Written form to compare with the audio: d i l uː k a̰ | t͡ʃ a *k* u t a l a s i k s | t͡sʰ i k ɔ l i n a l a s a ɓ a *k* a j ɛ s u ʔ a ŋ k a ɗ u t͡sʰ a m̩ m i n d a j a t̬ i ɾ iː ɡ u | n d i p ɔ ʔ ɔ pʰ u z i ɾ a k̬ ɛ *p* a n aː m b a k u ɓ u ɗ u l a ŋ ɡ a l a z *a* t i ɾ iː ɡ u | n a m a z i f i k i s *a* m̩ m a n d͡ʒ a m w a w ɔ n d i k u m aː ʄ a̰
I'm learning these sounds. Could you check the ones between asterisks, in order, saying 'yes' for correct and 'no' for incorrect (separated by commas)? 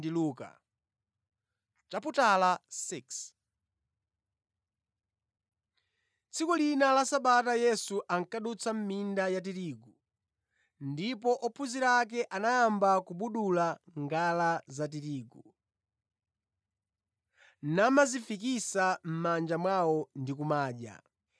no, no, no, yes, yes